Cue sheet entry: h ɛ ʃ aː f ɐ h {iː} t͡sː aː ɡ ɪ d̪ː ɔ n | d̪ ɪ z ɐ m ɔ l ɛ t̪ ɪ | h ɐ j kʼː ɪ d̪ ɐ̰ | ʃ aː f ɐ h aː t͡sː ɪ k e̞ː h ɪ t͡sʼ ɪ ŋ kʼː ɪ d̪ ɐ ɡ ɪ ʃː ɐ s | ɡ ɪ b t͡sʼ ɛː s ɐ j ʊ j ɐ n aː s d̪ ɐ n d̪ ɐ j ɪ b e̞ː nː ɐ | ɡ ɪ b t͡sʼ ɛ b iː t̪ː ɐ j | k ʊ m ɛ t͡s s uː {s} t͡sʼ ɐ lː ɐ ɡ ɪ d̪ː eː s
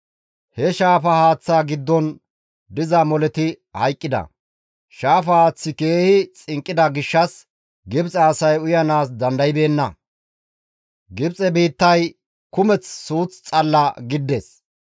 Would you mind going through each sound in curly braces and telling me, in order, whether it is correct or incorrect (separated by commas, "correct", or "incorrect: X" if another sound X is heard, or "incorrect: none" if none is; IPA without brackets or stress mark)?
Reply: incorrect: aː, incorrect: t͡s